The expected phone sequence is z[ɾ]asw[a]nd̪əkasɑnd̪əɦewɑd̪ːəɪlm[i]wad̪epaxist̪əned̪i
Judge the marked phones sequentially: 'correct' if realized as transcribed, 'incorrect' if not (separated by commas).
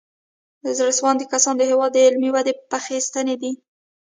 correct, incorrect, correct